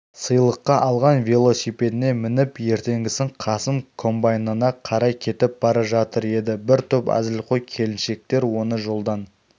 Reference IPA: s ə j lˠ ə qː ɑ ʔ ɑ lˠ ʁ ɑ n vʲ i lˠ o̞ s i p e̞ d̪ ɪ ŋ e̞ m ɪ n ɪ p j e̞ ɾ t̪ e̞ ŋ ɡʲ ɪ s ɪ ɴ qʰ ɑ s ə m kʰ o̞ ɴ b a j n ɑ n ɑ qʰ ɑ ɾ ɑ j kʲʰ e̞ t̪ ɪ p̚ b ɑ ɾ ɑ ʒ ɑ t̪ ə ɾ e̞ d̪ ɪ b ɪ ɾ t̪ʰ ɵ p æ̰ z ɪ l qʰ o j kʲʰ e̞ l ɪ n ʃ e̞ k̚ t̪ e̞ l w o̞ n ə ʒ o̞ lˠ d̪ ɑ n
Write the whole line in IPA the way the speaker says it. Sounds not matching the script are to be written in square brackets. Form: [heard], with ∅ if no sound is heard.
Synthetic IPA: s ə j lˠ ə qː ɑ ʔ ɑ lˠ ʁ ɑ n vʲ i lˠ o̞ s i p e̞ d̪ ɪ [n] e̞ m ɪ n ɪ p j e̞ ɾ t̪ e̞ ŋ ɡʲ ɪ s ɪ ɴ qʰ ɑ s ə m kʰ o̞ [m] b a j n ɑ n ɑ qʰ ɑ ɾ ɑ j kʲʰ e̞ t̪ ɪ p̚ b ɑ ɾ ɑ ʒ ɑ t̪ ə ɾ e̞ d̪ ɪ b ɪ ɾ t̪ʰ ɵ p æ̰ z ɪ l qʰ o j kʲʰ e̞ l ɪ n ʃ e̞ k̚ t̪ e̞ [ɾ] w o̞ n ə ʒ o̞ lˠ d̪ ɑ n